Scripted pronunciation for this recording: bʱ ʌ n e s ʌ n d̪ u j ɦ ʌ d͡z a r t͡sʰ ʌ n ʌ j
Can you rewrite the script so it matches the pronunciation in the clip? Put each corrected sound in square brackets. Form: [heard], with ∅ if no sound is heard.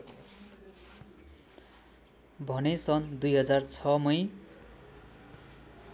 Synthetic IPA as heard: bʱ ʌ n e s ʌ n d̪ u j ɦ ʌ d͡z a r t͡sʰ ʌ [m] ʌ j